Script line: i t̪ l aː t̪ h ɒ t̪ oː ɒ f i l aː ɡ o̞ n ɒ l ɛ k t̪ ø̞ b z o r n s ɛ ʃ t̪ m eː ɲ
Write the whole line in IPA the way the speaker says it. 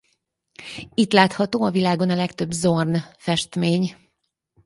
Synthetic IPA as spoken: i t̪ l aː t̪ h ɒ t̪ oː ɒ v i l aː ɡ o̞ n ɒ l ɛ k t̪ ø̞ b z o r n f ɛ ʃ t̪ m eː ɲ